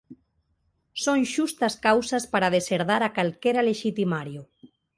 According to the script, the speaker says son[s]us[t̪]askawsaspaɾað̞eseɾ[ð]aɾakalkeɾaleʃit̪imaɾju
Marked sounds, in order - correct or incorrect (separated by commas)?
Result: incorrect, correct, correct